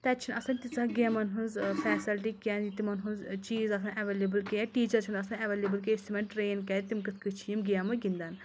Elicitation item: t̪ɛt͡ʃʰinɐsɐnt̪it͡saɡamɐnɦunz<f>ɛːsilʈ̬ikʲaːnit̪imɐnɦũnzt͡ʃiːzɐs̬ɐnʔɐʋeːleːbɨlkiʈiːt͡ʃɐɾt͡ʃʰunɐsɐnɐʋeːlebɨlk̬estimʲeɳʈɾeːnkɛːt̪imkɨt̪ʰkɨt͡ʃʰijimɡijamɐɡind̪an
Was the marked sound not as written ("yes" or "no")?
no